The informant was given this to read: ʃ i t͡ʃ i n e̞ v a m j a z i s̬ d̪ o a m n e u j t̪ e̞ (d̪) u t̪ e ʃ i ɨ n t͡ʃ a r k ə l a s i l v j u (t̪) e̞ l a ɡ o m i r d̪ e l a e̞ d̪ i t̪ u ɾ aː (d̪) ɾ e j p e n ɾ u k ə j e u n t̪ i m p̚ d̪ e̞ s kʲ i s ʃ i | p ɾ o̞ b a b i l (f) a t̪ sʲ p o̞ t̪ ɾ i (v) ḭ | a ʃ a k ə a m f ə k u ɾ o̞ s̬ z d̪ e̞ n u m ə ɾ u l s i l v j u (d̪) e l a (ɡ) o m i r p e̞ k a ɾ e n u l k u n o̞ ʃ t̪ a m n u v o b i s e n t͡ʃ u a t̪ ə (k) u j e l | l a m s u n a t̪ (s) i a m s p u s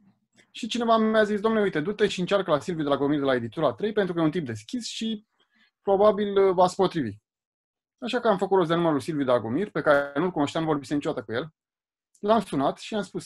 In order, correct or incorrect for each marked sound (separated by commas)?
correct, incorrect, incorrect, incorrect, correct, correct, correct, correct, incorrect